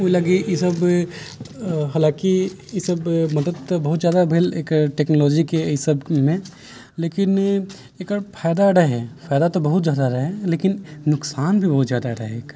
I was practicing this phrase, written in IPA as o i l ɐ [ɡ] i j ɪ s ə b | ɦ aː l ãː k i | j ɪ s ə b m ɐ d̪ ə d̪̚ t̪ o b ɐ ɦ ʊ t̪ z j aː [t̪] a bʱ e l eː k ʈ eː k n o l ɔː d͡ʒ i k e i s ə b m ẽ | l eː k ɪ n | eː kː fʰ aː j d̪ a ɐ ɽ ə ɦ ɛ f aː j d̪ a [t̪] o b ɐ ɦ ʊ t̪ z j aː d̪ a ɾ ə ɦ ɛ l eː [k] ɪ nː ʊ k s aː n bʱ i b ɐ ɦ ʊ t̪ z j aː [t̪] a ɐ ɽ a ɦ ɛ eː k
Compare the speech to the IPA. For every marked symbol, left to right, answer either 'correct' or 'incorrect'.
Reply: correct, incorrect, correct, correct, incorrect

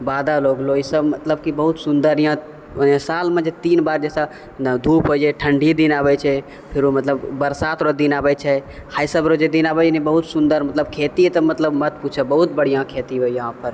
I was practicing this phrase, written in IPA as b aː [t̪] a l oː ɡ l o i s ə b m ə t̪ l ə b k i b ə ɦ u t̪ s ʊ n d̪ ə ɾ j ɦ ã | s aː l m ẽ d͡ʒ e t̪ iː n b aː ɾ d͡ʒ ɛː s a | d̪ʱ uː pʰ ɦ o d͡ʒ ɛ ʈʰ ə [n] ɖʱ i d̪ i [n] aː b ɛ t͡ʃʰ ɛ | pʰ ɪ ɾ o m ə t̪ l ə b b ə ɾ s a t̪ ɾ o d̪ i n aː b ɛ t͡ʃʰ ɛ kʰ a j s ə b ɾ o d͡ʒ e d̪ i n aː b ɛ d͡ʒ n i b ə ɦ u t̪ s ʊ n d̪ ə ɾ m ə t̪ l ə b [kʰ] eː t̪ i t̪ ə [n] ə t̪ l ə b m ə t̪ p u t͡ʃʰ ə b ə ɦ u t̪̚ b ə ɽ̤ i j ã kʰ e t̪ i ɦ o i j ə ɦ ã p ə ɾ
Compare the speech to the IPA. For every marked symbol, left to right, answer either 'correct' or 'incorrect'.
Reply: incorrect, incorrect, correct, correct, incorrect

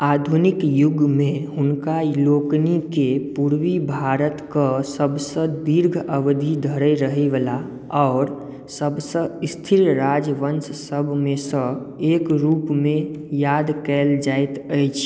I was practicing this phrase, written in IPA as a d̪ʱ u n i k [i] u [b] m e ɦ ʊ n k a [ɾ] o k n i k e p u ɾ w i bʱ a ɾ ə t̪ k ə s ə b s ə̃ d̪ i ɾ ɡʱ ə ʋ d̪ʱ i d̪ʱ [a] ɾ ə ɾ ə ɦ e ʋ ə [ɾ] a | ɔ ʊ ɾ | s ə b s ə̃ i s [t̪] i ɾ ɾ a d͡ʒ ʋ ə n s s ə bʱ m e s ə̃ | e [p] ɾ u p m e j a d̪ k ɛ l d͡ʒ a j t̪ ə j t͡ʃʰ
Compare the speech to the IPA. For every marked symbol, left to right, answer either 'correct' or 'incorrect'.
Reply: incorrect, incorrect, incorrect, incorrect, incorrect, incorrect, incorrect

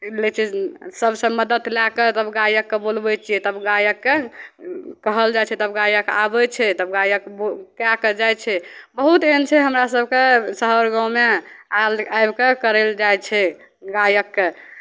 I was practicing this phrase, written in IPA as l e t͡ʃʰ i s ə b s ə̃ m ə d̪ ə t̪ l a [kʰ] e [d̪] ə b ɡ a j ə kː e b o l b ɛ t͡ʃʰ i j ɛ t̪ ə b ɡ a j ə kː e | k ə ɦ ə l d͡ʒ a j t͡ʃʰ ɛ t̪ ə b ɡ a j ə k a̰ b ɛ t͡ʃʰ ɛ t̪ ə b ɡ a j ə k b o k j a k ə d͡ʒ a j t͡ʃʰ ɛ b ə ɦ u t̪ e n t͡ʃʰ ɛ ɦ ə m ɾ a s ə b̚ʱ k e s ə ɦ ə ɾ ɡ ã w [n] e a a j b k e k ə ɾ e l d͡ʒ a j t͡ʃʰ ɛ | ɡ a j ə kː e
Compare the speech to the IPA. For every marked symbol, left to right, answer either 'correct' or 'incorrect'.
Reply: incorrect, incorrect, incorrect

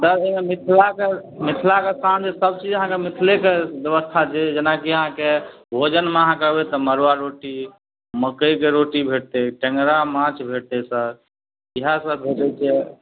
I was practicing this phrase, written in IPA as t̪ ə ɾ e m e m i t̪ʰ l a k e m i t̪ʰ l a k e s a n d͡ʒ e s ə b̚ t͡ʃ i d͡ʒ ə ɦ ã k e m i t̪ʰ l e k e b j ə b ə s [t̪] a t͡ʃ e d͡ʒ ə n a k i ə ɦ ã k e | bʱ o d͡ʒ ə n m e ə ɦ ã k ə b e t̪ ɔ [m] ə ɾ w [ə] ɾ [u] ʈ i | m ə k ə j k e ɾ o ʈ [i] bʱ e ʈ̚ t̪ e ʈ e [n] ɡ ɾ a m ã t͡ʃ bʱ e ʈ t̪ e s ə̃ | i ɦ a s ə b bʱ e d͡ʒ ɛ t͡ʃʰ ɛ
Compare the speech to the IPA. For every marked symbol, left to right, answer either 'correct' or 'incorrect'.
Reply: incorrect, correct, incorrect, incorrect, correct, incorrect

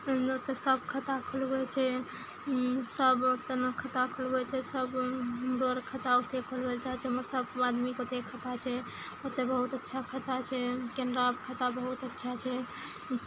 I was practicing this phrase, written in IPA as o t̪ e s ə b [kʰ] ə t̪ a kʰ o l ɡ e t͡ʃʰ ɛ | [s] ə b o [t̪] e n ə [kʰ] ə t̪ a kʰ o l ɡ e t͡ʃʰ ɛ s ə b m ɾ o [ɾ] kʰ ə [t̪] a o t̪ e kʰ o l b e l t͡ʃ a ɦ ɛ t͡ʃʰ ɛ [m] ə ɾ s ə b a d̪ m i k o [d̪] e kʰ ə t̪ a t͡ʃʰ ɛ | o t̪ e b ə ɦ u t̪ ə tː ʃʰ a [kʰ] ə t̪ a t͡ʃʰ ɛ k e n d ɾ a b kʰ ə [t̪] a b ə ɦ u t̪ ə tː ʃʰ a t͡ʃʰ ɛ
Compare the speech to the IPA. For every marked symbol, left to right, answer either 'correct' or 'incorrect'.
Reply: correct, correct, correct, correct, correct, correct, correct, incorrect, correct, correct

